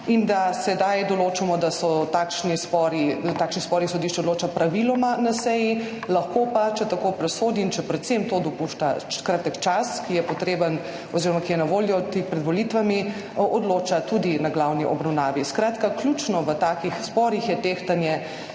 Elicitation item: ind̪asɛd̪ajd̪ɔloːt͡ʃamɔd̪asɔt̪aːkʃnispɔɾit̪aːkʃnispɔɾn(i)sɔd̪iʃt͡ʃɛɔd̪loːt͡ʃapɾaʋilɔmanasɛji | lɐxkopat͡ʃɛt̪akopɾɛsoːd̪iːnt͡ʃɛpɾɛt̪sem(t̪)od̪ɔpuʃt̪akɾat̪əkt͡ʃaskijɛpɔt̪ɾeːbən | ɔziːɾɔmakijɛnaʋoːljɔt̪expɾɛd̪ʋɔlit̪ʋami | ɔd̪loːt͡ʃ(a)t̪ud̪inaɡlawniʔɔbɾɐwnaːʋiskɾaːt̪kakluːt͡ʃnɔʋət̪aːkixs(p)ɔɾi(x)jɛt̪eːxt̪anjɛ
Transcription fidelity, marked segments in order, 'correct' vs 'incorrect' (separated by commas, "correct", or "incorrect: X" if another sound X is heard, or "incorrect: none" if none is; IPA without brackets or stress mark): correct, correct, correct, correct, correct